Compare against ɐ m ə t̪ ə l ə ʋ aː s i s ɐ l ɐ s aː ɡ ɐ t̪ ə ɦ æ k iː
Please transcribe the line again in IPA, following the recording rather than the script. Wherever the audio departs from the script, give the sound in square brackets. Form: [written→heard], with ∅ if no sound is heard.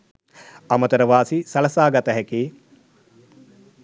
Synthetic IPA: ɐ m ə t̪ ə [l→ɾ] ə ʋ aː s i s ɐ l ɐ s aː ɡ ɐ t̪ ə ɦ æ k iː